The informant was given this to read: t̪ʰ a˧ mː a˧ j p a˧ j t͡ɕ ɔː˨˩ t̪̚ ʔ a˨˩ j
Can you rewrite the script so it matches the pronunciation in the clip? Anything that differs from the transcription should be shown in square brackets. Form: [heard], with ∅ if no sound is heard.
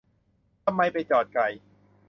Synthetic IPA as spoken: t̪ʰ a˧ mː a˧ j p a˧ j t͡ɕ ɔː˨˩ t̪̚ [k] a˨˩ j